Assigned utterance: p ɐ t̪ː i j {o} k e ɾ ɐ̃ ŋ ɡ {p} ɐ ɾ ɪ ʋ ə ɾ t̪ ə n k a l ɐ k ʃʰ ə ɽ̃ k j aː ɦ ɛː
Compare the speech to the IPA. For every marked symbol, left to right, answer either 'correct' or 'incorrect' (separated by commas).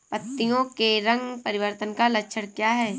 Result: incorrect, correct